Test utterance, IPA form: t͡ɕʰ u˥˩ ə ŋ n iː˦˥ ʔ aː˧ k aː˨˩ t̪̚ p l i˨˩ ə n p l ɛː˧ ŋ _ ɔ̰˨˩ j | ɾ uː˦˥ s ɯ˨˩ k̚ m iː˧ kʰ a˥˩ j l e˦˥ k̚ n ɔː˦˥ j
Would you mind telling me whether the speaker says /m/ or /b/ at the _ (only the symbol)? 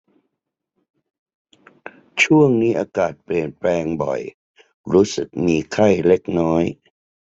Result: b